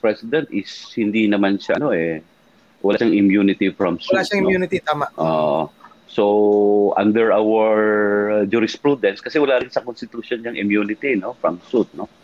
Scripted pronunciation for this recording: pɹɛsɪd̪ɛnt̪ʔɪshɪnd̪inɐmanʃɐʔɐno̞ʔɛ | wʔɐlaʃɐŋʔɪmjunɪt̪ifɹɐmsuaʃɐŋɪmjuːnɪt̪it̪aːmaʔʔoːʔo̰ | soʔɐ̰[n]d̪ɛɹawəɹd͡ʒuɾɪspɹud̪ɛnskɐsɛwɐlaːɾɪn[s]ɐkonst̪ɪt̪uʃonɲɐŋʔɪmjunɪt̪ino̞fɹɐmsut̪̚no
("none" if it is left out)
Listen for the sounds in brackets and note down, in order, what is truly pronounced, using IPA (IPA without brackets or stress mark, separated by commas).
n, s